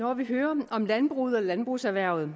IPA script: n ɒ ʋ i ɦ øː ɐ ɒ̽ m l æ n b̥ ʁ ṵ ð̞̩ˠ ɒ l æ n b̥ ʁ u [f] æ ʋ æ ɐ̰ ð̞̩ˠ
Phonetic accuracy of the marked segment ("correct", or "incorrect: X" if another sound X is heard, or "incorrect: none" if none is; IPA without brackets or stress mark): incorrect: s